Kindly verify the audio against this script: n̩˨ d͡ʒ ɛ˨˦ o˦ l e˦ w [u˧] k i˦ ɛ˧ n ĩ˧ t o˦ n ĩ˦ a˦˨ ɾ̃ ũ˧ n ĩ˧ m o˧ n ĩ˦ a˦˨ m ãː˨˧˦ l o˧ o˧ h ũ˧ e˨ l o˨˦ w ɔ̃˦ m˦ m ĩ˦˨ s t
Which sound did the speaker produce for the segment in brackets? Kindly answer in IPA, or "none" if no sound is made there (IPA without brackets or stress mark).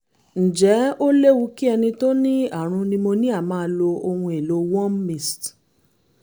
u˧